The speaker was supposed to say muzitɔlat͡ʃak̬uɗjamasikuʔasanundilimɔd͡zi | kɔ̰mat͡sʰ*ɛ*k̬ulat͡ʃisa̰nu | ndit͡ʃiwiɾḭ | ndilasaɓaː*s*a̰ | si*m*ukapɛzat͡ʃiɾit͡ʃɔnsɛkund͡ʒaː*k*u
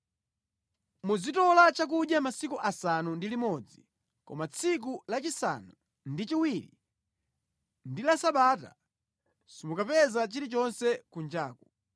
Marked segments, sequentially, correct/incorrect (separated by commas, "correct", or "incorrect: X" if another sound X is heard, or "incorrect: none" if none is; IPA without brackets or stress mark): incorrect: i, incorrect: t, correct, correct